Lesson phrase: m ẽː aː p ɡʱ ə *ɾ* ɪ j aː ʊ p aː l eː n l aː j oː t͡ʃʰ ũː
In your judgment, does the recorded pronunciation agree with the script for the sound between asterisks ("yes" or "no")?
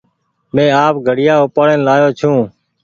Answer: no